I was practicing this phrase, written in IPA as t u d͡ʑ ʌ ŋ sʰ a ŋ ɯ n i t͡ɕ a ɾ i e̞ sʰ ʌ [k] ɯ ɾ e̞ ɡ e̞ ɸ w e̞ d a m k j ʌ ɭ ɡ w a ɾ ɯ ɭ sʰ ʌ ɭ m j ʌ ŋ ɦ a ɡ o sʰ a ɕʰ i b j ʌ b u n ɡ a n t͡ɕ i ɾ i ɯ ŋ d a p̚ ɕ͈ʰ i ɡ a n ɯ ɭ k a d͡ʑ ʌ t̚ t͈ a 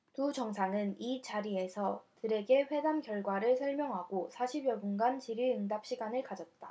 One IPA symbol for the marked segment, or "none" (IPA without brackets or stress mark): t